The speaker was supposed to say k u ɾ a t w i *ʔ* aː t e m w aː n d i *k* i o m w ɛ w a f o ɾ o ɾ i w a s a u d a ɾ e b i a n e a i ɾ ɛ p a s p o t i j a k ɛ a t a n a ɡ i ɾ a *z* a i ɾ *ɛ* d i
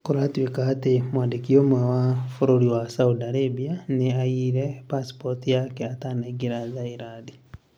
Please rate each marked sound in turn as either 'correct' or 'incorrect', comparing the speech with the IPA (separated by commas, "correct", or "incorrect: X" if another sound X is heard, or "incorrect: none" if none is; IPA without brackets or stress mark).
incorrect: k, correct, correct, incorrect: a